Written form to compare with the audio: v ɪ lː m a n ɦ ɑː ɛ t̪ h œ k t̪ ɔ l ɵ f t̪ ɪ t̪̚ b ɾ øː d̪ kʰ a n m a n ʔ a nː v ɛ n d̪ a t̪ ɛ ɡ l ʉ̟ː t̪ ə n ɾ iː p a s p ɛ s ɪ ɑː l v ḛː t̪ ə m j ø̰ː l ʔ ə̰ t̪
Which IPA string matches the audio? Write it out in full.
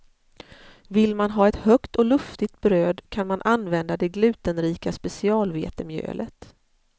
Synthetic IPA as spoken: v ɪ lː m a n ɦ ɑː ɛ t̪ h œ k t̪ ɔ l ɵ f t̪ ɪ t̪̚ b ɾ øː d̪ kʰ a n m a n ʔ a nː v ɛ n d̪ a d̪ ɛ ɡ l ʉ̟ː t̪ ə n ɾ iː k a s p ɛ s ɪ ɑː l v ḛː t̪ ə m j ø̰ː l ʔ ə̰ t̪